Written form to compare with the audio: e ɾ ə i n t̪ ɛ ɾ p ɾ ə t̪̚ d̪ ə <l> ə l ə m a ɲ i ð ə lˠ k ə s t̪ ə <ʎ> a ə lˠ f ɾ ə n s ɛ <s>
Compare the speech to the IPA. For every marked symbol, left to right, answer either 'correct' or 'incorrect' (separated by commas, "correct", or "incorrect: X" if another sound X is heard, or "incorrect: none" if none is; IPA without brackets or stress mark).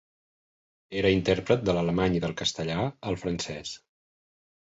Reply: correct, correct, correct